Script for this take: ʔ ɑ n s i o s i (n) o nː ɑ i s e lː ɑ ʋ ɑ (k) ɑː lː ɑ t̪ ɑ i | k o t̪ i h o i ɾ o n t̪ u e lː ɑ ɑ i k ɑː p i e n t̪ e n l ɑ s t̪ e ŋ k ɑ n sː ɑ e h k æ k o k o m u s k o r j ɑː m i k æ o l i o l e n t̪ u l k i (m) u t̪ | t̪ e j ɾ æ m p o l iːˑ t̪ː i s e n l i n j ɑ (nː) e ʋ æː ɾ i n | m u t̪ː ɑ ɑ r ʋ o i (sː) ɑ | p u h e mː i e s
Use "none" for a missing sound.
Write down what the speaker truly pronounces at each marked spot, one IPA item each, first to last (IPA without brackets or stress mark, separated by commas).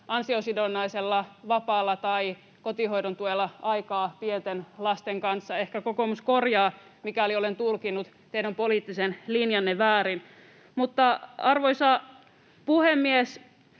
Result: d, p, n, nː, s